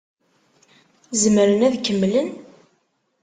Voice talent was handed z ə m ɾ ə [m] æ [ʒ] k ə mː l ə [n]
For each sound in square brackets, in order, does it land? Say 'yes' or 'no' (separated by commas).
no, no, yes